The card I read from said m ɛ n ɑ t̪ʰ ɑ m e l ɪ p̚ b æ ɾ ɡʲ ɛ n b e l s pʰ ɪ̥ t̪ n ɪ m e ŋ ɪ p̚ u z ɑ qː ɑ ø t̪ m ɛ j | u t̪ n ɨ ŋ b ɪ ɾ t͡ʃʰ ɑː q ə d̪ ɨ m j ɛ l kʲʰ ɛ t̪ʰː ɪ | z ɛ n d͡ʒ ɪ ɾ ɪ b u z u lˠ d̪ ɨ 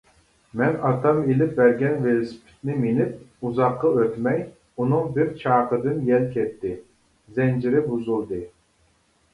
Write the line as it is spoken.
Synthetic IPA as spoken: m ɛ n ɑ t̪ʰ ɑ m e l ɪ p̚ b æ ɾ ɡʲ ɛ n v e l s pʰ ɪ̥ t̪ n ɪ m e n ɪ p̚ u z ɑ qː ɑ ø t̪ m ɛ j | u n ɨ ŋ b ɪ ɾ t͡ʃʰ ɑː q ə d̪ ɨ n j ɛ l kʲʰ ɛ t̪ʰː ɪ | z ɛ n d͡ʒ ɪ ɾ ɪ b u z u lˠ d̪ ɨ